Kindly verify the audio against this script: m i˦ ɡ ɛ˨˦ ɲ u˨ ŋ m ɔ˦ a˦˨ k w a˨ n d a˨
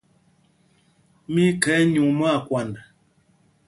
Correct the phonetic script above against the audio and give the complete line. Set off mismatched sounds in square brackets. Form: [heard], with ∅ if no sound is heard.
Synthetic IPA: m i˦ [k] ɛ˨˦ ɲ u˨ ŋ m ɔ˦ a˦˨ k w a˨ n d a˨